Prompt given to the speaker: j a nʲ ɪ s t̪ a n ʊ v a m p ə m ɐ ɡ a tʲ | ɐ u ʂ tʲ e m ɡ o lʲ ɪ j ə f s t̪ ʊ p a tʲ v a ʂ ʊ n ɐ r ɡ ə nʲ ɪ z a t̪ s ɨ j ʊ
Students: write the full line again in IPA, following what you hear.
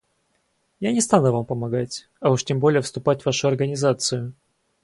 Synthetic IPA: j a nʲ ɪ s t̪ a n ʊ v a m p ə m ɐ ɡ a tʲ | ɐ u ʂ tʲ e m b o lʲ ɪ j ə f s t̪ ʊ p a tʲ v a ʂ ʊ ɐ r ɡ ə nʲ ɪ z a t̪ s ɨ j ʊ